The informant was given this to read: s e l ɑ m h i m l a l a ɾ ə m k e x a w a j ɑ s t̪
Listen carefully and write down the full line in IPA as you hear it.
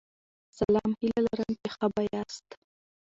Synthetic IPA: s a l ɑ m h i l a l a ɾ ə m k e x a b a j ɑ s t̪